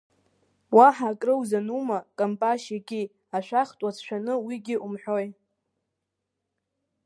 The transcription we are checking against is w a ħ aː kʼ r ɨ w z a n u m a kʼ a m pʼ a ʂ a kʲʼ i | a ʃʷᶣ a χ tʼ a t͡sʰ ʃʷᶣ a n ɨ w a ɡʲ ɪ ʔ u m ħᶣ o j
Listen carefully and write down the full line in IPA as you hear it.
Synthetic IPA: w a ħ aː kʼ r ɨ w z a n u m a kʼ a m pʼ a ʃ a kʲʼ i | a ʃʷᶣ a χ tʼ a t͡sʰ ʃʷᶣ a n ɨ w i ɡʲ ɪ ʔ u m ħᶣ o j